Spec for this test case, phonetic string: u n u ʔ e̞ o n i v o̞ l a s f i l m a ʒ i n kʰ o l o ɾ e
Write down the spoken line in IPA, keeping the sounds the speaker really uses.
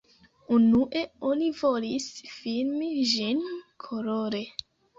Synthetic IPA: u n u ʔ e̞ o n i v o̞ l i s f i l m i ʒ i n kʰ o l o ɾ e

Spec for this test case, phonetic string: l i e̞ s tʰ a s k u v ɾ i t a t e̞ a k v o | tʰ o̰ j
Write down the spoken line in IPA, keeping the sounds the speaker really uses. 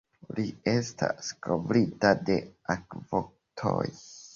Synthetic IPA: l i e̞ s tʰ a s k o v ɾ i t a d e̞ a k v o | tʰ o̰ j

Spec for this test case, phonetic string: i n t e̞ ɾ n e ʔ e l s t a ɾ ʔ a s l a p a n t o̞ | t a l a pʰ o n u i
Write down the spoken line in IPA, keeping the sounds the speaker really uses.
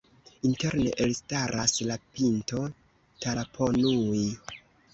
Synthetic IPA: i n t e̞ ɾ n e ʔ e l s t a ɾ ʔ a s l a p i n t o̞ | t a l a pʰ o n u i

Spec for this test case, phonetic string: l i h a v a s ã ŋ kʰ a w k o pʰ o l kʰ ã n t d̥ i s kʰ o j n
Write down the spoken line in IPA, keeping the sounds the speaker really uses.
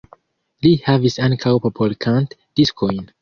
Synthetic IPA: l i h a v i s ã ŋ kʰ a w p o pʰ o l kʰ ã n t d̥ i s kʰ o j n

